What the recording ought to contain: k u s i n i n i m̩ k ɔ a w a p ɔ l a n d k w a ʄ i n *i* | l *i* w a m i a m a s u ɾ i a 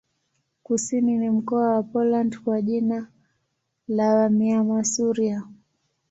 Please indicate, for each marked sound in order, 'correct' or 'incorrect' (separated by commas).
incorrect, incorrect